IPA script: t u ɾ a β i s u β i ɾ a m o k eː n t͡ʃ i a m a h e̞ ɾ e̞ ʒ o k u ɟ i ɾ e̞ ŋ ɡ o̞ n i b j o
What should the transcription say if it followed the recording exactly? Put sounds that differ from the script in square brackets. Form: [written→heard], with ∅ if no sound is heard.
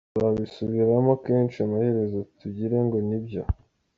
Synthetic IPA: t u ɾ a β i s u β i ɾ a m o k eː n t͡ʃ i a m a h e̞ ɾ e̞ [ʒ→z] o [k→t] u ɟ i ɾ e̞ ŋ ɡ o̞ n i b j o